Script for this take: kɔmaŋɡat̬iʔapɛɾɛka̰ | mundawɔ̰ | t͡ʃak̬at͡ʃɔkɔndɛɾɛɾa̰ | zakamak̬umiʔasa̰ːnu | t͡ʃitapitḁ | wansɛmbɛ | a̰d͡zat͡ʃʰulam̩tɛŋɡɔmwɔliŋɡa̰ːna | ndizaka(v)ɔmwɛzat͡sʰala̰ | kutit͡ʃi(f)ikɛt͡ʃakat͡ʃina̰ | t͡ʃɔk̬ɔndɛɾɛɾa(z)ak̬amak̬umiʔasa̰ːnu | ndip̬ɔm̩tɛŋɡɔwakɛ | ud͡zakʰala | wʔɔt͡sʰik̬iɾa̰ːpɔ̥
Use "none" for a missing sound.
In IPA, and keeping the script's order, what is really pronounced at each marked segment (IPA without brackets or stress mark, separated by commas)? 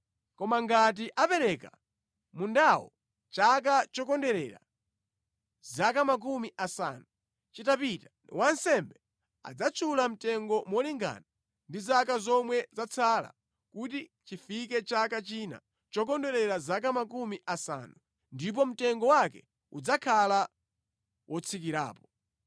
z, f, z